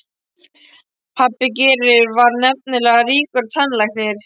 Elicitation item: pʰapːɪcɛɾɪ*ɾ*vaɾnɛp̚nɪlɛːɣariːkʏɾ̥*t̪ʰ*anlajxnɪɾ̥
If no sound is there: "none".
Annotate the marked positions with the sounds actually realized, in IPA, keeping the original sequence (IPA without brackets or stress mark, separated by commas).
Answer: ɾ, t̪ʰ